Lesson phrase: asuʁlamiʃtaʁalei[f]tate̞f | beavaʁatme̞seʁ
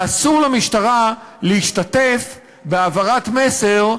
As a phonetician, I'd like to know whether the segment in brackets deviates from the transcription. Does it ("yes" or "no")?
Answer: yes